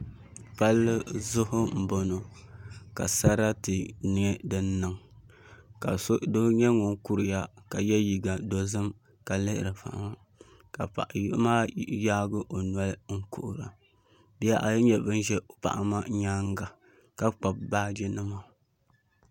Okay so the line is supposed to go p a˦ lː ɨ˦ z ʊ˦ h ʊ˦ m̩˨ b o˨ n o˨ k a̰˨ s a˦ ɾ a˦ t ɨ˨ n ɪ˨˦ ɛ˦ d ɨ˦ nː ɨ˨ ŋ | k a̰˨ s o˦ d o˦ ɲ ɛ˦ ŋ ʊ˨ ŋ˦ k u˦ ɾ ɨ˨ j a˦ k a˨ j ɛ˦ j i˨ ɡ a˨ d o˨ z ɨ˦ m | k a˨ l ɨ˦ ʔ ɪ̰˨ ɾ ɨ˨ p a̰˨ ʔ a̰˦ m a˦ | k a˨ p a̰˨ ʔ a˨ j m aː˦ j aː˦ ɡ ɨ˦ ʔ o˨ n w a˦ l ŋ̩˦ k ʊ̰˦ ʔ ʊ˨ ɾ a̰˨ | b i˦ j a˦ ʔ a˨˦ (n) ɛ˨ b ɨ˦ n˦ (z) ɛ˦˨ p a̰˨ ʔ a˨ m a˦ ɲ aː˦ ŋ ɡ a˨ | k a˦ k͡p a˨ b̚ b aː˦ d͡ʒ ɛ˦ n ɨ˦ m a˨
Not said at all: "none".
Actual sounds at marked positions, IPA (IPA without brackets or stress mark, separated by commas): ɲ, ʒ